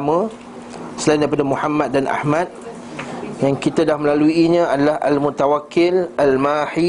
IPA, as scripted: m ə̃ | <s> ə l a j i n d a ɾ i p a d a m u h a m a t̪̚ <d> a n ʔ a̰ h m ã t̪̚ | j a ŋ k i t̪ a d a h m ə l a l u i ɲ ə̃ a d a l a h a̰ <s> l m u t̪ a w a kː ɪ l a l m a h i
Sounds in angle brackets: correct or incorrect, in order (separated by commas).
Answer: correct, correct, incorrect